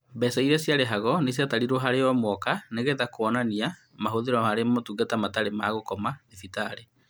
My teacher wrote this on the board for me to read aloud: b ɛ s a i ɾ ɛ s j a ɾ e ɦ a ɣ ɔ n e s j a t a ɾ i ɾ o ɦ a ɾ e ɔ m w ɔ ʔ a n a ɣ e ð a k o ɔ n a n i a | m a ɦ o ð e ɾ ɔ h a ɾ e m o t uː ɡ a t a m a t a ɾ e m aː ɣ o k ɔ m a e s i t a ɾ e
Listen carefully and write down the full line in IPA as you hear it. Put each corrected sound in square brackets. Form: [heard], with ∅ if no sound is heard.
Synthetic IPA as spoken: b ɛ s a i ɾ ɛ s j a ɾ e ɦ a ɣ ɔ n e s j a t a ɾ i ɾ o ɦ a ɾ e ɔ m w ɔ [k] a n [e] ɣ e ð a k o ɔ n a n i a | m a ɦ o ð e ɾ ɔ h a ɾ e m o t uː ɡ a t a m a t a ɾ e m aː ɣ o k ɔ m a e [f] i t a ɾ e